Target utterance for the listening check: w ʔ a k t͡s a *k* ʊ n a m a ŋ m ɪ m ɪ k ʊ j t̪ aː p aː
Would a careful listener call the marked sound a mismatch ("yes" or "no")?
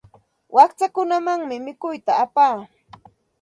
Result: no